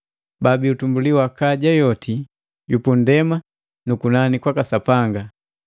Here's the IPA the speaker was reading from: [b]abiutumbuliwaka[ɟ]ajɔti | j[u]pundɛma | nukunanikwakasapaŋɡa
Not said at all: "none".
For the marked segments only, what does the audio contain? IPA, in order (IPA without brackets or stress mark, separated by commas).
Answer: b, ɟ, u